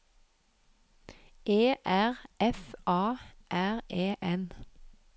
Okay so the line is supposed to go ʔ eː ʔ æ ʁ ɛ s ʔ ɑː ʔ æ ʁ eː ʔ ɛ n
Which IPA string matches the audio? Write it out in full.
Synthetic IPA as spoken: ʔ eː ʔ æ ʁ ɛ f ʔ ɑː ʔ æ ʁ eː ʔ ɛ n